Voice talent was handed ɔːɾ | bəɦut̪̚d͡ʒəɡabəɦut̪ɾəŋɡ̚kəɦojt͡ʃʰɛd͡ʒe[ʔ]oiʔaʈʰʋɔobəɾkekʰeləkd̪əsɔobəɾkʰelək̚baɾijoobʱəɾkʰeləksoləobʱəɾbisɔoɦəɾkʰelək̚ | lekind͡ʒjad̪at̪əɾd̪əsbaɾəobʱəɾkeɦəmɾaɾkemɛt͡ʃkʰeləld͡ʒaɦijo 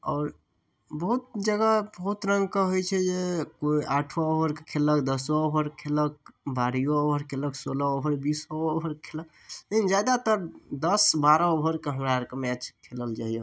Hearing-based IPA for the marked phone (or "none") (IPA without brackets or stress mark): k